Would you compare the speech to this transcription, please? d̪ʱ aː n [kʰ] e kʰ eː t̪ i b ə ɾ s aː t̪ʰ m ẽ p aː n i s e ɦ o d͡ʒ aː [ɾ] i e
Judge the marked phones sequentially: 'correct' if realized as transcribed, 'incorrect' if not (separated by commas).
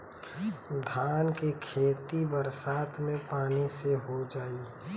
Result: incorrect, incorrect